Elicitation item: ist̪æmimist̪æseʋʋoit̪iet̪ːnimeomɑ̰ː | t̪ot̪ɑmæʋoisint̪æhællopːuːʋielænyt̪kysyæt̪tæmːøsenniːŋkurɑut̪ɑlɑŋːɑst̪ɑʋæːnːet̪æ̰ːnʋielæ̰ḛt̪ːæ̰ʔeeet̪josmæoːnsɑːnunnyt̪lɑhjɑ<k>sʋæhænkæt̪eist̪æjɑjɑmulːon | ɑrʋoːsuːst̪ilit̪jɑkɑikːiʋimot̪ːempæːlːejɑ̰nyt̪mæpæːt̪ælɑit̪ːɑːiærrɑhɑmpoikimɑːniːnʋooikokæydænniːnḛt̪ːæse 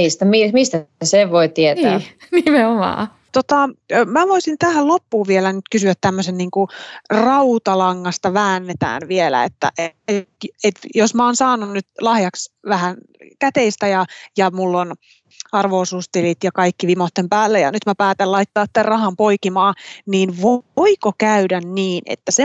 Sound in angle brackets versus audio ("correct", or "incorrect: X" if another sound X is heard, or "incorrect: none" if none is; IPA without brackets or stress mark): correct